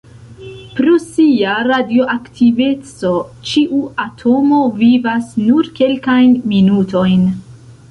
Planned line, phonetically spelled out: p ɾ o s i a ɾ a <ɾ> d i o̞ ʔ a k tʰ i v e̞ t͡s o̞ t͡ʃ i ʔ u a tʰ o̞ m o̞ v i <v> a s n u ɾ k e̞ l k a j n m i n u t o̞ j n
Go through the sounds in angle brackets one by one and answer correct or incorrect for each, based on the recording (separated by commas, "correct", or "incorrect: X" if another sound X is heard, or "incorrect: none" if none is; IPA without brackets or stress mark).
incorrect: none, correct